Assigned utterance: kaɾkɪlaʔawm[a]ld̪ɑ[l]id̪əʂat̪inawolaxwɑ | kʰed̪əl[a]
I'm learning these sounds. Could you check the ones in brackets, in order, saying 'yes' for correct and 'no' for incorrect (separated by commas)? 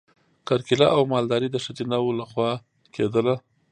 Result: no, no, yes